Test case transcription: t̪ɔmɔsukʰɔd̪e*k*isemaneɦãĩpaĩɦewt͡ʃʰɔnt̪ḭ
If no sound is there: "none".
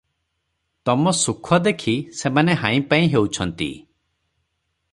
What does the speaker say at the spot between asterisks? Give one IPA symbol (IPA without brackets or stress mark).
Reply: kʰ